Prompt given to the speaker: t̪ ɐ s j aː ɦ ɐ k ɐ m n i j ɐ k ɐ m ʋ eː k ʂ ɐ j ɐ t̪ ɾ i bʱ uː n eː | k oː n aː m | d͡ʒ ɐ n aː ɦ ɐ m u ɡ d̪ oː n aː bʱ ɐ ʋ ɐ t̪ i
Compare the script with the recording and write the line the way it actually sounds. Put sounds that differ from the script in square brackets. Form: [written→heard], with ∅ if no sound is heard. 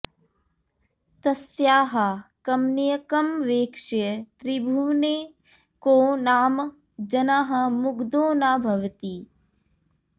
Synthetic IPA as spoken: t̪ ɐ s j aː ɦ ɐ k ɐ m n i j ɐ k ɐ m ʋ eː k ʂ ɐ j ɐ t̪ ɾ i bʱ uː n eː | k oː n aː m | d͡ʒ ɐ n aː ɦ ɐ m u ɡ d̪ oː n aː bʱ ɐ ʋ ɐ t̪ i